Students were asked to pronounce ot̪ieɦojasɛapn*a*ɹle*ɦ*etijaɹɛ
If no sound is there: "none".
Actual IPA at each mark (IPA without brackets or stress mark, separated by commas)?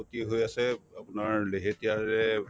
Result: a, ɦ